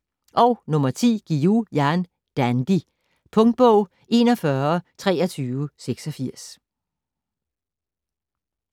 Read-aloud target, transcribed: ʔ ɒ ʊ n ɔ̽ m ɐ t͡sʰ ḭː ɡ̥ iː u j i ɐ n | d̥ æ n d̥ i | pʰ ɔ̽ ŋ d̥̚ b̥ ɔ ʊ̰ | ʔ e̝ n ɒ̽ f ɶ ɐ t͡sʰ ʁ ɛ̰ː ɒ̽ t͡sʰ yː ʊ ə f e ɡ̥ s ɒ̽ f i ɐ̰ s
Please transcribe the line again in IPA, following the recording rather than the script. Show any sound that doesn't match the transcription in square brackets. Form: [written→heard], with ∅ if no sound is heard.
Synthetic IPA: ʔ ɒ ʊ n ɔ̽ m ɐ t͡sʰ ḭː ɡ̥ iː u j [i→æ] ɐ n | d̥ æ n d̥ i | pʰ ɔ̽ ŋ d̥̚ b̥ ɔ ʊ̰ | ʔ e̝ n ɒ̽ f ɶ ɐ t͡sʰ ʁ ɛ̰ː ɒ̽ t͡sʰ yː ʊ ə [f→s] e ɡ̥ s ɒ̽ f i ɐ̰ s